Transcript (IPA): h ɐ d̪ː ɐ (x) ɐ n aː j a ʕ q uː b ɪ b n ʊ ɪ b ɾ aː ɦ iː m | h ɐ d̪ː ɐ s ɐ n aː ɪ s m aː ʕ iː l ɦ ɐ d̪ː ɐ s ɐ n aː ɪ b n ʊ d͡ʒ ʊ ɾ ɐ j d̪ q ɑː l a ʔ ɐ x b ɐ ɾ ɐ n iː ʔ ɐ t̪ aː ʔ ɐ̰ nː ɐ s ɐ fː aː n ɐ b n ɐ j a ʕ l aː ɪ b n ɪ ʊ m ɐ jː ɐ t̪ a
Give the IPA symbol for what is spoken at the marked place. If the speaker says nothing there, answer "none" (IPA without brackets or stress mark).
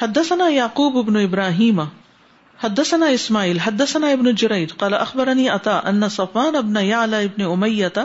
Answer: s